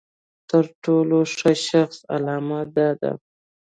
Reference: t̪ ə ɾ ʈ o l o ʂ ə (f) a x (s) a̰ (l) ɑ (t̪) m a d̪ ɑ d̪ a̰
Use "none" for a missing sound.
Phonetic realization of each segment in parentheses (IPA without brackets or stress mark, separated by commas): ʃ, s, l, none